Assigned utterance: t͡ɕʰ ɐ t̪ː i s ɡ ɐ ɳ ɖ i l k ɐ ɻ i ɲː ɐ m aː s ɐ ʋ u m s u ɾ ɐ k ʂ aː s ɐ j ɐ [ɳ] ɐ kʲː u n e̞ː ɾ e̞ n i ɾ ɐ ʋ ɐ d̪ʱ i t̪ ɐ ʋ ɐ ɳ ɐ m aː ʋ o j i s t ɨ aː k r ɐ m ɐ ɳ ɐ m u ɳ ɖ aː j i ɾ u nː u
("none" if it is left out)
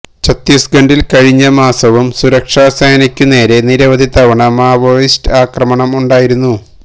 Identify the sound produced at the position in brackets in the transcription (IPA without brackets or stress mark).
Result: n